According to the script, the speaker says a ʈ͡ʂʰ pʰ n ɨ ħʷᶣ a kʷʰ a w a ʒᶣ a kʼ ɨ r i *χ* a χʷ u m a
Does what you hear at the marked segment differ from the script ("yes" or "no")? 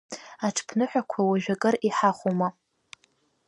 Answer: yes